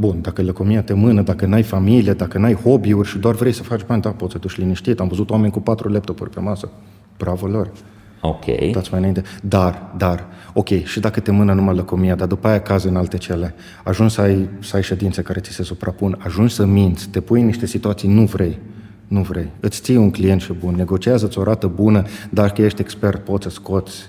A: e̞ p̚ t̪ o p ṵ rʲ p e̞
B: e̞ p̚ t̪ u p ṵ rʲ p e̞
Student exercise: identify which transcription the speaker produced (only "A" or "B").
A